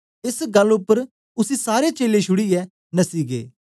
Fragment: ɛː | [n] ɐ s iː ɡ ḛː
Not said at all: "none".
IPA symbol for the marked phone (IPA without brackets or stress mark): n